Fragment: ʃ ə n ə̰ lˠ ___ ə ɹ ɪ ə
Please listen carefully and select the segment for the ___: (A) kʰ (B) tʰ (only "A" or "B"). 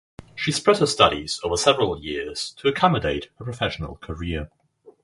A